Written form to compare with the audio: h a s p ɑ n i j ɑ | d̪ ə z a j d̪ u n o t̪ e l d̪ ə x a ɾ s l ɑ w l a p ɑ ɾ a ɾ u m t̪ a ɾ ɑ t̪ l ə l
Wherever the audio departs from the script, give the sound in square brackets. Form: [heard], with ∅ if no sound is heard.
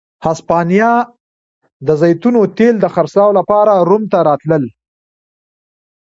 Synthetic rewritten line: h a s p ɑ n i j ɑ | d̪ ə z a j [t̪] u n o t̪ e l d̪ ə x a ɾ s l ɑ w l a p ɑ ɾ a ɾ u m t̪ a ɾ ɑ t̪ l ə l